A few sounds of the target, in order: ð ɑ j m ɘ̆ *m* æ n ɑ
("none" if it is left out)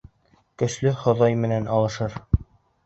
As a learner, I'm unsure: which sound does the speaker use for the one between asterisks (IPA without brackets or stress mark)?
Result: n